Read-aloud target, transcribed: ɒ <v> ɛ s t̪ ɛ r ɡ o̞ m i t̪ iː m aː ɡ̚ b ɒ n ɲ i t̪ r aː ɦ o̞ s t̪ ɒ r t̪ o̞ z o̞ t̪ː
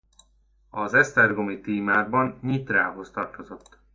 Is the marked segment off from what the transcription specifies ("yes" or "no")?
yes